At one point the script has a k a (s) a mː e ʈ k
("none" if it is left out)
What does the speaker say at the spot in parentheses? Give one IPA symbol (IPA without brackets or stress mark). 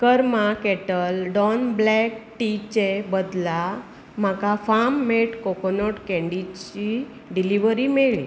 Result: f